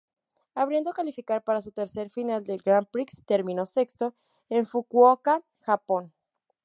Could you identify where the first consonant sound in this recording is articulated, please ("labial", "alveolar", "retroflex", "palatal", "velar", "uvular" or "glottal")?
labial